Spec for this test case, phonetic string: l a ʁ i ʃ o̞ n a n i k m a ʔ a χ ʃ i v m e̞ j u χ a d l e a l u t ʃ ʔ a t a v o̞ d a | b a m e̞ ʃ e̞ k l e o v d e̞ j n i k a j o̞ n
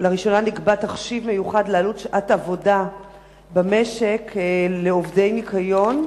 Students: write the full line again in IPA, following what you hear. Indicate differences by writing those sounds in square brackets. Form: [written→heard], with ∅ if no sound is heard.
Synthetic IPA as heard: l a ʁ i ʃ o̞ n a n i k [m→b] a [ʔ→t] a χ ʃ i v m e̞ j u χ a d l e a l u t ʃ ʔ a t a v o̞ d a | b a m e̞ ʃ e̞ k l e o v d e̞ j n i k a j o̞ n